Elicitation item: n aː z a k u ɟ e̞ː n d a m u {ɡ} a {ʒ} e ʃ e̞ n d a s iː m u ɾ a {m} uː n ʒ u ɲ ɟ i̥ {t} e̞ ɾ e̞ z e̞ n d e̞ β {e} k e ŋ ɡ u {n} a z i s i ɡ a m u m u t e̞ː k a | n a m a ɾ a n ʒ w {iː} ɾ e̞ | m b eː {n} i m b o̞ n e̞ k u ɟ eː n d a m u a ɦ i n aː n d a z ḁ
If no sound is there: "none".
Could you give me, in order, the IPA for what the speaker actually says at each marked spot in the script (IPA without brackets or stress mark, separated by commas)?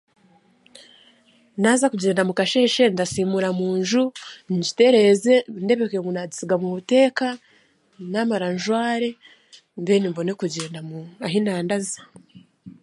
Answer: k, ʃ, m, t, e, n, aː, n